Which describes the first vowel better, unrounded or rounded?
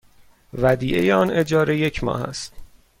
unrounded